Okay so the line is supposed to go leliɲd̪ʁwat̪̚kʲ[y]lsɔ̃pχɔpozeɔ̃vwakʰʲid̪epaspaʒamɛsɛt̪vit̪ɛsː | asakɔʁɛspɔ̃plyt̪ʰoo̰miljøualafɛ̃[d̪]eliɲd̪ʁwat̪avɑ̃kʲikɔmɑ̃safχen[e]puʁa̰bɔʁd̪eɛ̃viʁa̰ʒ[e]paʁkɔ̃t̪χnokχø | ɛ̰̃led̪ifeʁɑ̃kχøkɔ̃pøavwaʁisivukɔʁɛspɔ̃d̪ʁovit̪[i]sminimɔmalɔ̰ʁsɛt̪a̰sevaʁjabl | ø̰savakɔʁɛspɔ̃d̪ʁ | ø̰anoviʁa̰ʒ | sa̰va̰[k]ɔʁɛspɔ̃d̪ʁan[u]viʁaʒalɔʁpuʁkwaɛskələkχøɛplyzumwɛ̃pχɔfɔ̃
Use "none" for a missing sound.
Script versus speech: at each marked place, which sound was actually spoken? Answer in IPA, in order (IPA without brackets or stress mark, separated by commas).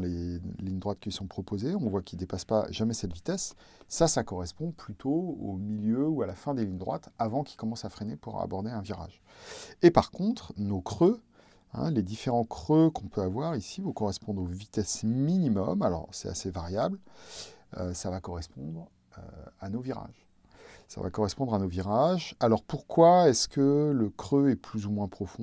i, d̪, e, e, ɛ, k, o